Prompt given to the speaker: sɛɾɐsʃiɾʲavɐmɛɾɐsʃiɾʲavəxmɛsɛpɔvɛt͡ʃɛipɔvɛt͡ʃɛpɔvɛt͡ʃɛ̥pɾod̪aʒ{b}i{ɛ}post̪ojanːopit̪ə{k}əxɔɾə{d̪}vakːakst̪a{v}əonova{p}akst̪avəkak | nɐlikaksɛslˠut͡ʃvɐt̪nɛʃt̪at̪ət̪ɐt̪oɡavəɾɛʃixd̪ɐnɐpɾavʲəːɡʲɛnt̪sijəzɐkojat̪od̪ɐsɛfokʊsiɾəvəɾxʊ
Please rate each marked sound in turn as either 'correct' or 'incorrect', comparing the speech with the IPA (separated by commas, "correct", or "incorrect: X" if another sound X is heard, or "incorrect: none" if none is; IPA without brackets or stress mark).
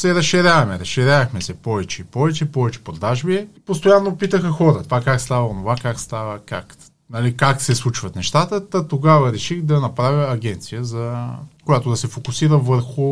correct, correct, incorrect: x, incorrect: t̪, correct, incorrect: k